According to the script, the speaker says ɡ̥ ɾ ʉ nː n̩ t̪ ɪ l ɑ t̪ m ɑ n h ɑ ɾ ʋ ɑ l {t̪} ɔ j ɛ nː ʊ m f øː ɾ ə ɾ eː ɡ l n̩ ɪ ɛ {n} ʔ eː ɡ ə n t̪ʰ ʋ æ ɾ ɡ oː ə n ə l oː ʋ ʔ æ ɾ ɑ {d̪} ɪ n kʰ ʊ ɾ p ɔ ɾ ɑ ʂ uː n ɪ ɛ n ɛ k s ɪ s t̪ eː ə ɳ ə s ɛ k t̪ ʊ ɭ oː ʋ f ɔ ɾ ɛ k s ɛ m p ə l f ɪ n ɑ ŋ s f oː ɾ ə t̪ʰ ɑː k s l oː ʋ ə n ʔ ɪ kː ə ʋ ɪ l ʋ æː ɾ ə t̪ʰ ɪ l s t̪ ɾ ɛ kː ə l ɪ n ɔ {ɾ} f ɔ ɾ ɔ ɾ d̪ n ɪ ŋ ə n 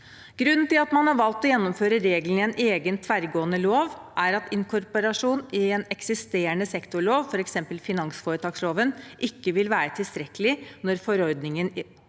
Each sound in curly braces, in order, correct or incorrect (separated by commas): correct, correct, incorrect, correct